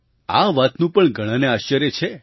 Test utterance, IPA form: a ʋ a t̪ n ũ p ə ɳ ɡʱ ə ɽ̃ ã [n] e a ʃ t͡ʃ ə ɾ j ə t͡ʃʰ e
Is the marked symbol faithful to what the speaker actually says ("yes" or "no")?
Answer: yes